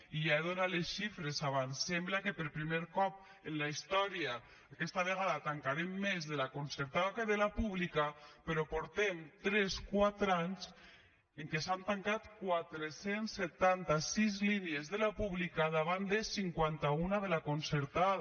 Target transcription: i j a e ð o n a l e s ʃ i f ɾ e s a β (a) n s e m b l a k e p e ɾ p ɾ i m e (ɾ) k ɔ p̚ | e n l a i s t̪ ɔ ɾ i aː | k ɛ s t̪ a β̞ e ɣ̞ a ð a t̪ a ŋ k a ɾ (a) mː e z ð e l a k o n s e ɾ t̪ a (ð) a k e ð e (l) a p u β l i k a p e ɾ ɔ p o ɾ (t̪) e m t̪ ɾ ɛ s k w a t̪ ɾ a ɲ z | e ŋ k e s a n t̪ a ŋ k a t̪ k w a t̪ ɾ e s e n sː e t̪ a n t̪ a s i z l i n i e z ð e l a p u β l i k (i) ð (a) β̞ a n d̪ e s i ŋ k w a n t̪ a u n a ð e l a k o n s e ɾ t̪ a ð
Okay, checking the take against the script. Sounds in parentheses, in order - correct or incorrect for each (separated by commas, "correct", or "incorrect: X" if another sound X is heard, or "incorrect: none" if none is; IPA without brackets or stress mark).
correct, correct, incorrect: e, correct, correct, correct, incorrect: a, correct